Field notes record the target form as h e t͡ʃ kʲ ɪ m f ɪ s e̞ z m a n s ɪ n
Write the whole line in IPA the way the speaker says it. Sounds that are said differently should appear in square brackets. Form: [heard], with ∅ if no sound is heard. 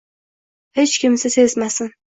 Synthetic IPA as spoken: h e t͡ʃ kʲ ɪ m [s] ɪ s e̞ z m a [∅] s ɪ n